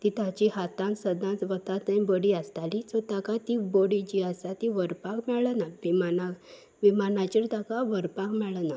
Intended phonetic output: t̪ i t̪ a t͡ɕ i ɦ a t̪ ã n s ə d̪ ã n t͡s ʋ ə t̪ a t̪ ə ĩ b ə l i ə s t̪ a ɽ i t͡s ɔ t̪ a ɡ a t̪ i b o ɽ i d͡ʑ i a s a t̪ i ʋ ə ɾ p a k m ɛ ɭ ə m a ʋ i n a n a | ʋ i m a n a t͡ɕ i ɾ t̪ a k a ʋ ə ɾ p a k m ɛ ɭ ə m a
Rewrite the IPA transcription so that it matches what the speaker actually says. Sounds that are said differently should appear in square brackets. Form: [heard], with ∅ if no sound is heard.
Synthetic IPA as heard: t̪ i t̪ a t͡ɕ i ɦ a t̪ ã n s ə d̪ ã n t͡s ʋ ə t̪ a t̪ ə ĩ b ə [ɽ] i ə s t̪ a [l] i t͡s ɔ t̪ a [k] a t̪ i b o ɽ i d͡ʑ i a s a t̪ i ʋ ə ɾ p a k m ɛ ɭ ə [n] a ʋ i [m] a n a | ʋ i m a n a t͡ɕ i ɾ t̪ a k a ʋ ə ɾ p a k m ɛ ɭ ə [n] a